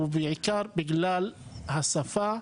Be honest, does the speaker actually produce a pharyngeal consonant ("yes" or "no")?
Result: yes